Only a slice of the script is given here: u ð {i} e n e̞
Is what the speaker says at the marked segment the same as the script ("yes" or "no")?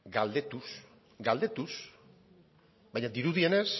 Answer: yes